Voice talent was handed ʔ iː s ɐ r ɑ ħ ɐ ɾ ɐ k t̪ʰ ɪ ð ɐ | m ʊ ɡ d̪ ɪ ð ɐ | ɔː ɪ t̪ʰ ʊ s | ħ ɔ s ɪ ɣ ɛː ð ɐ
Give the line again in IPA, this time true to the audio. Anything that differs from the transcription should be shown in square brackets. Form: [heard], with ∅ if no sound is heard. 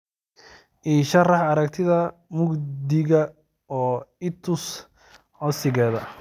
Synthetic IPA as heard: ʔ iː [ʃ] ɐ r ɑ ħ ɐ ɾ ɐ k t̪ʰ ɪ ð ɐ | m ʊ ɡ d̪ ɪ [ɣ] ɐ | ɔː ɪ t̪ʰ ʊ s | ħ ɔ s ɪ ɣ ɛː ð ɐ